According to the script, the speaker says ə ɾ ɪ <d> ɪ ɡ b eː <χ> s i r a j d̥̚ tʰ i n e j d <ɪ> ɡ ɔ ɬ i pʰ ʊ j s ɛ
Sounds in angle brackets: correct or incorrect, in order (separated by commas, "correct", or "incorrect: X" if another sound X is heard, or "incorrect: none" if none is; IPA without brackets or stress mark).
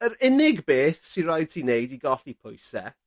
incorrect: n, incorrect: θ, incorrect: i